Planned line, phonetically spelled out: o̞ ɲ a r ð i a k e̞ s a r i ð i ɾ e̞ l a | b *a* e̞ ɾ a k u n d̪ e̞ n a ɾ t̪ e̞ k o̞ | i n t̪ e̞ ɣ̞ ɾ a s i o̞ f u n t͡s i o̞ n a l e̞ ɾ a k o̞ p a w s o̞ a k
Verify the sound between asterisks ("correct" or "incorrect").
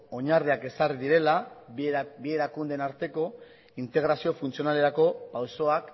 incorrect